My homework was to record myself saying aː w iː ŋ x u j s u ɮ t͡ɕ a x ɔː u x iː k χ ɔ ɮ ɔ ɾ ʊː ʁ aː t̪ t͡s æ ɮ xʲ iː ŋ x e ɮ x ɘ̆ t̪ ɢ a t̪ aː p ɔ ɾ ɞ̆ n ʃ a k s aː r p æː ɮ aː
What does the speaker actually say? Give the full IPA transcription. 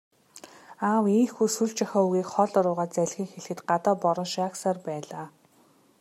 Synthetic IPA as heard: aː w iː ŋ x u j s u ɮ t͡ɕ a x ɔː u ɣ iː k χ ɔ ɮ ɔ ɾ ʊː ʁ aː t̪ t͡s æ ɮ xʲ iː ŋ x e ɮ x ɘ̆ t̪ ɢ a t̪ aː p ɔ ɾ ɞ̆ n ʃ a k s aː r p æː ɮ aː